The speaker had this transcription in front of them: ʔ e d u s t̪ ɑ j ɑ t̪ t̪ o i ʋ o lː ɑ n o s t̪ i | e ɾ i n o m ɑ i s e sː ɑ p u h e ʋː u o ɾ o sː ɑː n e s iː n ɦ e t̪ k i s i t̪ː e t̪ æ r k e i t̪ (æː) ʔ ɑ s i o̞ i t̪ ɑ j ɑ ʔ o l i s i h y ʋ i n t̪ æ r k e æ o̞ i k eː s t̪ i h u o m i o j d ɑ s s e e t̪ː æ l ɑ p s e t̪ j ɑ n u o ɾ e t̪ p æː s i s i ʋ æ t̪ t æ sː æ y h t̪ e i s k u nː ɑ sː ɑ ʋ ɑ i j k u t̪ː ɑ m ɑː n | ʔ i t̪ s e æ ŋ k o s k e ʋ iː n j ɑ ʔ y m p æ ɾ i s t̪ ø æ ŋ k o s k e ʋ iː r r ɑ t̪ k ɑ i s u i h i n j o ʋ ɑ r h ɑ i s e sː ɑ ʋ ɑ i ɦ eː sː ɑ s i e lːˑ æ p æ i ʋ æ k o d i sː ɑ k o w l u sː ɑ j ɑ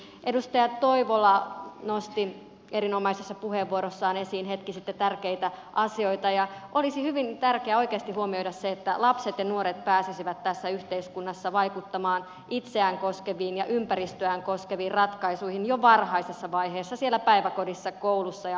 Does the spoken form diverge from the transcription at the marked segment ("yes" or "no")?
yes